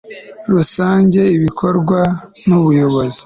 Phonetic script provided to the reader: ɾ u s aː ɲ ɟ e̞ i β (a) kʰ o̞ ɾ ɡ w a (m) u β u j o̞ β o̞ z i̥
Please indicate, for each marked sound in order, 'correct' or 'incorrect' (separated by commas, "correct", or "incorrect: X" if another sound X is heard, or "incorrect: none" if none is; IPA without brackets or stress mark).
incorrect: i, incorrect: n